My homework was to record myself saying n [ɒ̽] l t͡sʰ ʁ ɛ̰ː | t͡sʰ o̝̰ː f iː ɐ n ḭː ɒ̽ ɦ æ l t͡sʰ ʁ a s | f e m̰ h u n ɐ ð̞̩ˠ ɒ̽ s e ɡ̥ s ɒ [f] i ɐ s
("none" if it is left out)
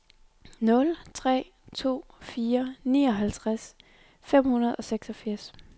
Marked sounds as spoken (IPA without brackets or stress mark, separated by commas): ɔ̽, f